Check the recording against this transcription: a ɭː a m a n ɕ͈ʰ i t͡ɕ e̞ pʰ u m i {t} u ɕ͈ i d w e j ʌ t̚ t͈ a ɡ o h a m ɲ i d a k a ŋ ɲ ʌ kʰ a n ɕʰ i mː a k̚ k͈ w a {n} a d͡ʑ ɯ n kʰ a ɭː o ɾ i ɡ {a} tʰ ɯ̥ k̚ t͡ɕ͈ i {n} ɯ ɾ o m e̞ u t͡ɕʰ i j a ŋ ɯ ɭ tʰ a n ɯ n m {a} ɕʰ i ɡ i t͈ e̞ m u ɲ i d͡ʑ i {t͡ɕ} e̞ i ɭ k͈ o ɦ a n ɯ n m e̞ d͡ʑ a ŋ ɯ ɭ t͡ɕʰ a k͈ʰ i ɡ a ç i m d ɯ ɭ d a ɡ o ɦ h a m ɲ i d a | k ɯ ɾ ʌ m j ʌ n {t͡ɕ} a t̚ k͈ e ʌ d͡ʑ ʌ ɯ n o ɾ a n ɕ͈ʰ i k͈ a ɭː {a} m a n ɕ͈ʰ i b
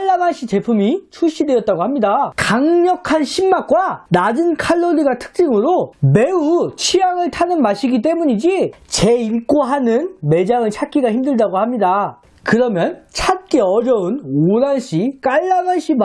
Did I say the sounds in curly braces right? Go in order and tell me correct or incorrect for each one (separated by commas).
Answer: incorrect, correct, correct, incorrect, correct, correct, incorrect, correct